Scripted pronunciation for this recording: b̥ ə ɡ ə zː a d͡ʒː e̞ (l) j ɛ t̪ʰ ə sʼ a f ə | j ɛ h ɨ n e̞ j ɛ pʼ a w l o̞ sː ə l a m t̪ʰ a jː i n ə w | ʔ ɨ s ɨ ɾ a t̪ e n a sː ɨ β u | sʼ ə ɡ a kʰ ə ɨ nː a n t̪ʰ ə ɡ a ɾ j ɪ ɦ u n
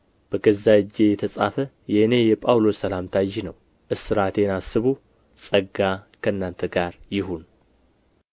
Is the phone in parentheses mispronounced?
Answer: yes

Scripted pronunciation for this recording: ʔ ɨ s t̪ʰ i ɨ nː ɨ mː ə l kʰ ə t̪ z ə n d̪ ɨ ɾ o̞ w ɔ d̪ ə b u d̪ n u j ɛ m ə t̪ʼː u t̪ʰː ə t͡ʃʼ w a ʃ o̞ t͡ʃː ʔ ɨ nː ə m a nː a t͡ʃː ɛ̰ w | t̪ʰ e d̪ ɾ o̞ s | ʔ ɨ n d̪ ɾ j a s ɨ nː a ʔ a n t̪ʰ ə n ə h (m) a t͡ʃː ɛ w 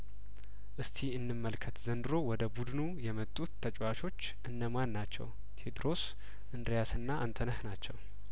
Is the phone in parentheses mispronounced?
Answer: yes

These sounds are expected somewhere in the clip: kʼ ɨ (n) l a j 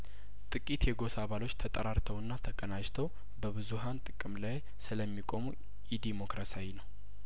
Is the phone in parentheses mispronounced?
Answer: yes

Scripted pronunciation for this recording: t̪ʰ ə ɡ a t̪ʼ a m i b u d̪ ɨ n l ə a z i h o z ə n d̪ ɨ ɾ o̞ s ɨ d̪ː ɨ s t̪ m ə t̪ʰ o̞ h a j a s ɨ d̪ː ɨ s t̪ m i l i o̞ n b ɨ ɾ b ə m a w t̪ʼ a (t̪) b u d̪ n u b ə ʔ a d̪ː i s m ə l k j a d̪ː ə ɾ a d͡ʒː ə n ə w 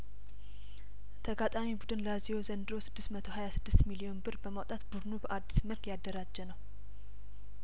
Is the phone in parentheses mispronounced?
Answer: no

